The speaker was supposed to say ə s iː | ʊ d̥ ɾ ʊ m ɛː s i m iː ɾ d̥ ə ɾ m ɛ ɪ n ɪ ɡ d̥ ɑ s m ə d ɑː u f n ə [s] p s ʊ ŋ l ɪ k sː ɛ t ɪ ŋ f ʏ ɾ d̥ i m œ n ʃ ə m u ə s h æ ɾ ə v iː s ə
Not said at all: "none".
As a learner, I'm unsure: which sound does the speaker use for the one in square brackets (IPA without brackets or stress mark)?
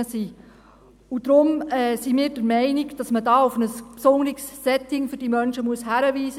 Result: s